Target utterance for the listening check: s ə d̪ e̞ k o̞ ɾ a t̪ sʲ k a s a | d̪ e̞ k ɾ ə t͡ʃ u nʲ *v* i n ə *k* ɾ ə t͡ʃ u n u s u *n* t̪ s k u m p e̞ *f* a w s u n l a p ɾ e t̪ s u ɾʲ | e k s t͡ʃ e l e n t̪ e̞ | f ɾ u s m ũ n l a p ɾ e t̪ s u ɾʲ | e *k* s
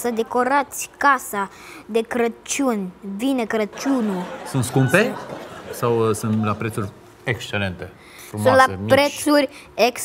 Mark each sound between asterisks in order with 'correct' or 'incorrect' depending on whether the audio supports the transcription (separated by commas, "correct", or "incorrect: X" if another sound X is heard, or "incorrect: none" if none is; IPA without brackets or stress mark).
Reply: correct, correct, correct, incorrect: s, correct